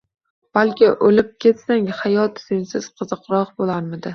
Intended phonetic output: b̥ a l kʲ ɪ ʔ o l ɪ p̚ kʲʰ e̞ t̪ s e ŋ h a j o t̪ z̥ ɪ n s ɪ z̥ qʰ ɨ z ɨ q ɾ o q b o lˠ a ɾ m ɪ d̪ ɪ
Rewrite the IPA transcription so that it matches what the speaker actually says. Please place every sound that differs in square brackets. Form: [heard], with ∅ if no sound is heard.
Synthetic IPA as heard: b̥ a l kʲ ɪ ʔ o l ɪ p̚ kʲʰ e̞ t̪ s [a] ŋ h a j [ɒ] t̪ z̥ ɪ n s ɪ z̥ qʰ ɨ z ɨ q ɾ [ɒ] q b o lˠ a ɾ m ɪ d̪ ɪ